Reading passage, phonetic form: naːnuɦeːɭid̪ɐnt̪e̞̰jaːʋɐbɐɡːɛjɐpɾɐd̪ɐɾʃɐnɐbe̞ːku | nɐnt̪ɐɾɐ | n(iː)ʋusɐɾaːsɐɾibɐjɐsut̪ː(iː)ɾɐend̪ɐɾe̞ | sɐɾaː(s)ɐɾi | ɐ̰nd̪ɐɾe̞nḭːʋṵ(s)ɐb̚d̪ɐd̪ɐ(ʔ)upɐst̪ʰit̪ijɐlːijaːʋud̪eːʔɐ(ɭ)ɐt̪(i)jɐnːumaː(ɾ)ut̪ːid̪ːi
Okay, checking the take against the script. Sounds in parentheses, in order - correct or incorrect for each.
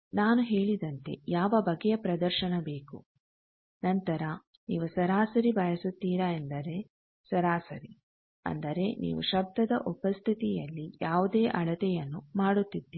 correct, correct, correct, incorrect: ʃ, correct, correct, incorrect: ɛ, incorrect: ɽ

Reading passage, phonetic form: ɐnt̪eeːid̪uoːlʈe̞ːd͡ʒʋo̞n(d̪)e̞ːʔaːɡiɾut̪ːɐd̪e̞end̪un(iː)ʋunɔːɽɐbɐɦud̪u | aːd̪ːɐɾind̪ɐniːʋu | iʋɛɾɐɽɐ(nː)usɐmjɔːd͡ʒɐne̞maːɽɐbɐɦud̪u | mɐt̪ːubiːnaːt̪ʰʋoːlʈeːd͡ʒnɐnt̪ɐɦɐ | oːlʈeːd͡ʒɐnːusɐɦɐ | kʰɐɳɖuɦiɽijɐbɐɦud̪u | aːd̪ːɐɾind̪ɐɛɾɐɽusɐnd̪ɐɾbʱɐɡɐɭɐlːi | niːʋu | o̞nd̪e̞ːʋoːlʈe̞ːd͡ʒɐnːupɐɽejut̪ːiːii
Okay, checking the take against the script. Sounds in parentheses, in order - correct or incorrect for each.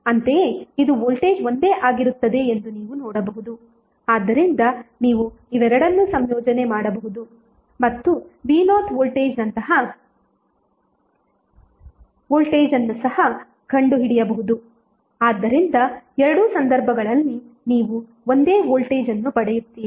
correct, correct, correct

